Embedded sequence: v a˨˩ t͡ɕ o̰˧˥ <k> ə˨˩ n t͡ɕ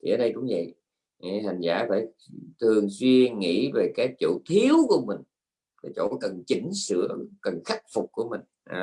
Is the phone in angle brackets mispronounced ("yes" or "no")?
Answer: no